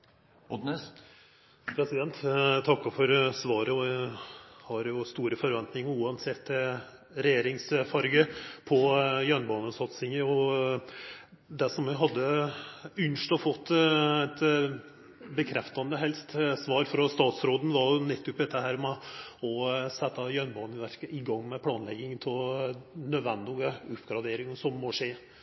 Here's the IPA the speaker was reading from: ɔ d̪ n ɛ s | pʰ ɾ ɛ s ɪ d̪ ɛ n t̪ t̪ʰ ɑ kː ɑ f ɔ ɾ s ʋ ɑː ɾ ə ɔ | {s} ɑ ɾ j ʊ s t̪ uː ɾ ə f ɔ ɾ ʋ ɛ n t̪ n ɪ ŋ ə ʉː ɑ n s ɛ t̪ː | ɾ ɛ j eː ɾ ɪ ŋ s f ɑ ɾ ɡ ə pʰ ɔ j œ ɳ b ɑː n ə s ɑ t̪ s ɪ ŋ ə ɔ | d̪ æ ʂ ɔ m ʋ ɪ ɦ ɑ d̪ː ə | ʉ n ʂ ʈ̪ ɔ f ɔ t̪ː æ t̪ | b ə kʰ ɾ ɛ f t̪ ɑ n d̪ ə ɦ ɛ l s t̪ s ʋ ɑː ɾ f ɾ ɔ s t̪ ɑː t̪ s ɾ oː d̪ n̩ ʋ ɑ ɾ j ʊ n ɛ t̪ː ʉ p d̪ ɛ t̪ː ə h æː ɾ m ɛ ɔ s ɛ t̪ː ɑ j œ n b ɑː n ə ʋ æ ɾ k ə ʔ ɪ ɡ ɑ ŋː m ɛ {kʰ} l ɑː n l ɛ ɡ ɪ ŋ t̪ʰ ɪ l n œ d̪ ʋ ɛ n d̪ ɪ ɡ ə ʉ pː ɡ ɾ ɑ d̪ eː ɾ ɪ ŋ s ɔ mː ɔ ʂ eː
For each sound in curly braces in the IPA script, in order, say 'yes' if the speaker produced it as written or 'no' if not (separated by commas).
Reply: no, no